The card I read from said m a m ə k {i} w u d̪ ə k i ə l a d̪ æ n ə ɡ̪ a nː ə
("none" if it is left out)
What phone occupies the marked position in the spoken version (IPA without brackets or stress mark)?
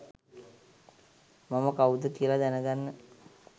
a